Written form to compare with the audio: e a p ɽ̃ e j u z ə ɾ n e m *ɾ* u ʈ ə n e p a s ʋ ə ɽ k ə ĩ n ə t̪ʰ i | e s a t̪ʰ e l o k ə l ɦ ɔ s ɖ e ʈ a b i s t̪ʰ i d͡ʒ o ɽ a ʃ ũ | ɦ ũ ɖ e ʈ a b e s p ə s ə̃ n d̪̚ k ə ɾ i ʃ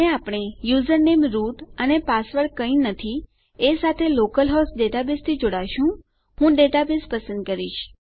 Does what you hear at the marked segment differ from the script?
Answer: no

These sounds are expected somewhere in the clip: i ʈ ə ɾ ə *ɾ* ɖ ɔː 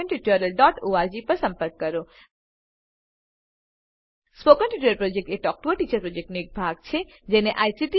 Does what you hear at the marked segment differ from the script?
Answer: yes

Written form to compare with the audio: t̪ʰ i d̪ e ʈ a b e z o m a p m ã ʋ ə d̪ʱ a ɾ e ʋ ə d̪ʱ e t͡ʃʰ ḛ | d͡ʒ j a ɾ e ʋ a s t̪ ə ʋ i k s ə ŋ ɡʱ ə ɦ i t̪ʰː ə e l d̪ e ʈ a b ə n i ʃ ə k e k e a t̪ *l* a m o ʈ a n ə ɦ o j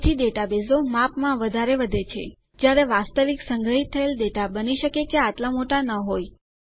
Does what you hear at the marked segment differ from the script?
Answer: no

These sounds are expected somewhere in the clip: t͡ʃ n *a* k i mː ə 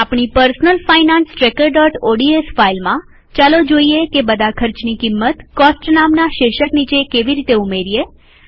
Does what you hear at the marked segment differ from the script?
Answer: yes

